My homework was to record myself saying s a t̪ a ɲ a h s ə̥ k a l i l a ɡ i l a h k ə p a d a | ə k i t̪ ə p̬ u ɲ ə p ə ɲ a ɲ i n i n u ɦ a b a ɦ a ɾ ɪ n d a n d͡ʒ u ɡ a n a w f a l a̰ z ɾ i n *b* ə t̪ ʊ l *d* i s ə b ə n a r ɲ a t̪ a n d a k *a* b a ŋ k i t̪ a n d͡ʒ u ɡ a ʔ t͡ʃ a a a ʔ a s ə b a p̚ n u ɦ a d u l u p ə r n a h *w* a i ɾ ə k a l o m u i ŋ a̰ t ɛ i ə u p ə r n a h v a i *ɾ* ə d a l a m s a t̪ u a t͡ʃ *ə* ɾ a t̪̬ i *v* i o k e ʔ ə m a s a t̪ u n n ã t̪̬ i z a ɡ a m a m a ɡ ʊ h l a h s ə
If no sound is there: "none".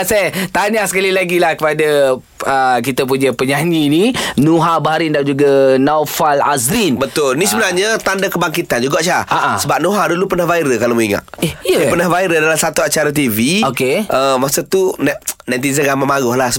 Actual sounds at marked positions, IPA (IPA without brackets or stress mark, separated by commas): b, n, ə, v, ɾ, a, v